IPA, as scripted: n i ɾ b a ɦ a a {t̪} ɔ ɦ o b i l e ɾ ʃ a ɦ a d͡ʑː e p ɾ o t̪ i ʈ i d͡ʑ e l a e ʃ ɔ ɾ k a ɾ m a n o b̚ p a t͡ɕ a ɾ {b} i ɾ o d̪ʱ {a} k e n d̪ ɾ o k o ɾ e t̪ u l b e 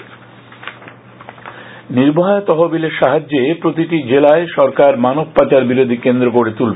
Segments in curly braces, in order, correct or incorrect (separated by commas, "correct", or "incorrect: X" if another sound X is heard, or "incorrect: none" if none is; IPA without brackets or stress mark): correct, correct, incorrect: i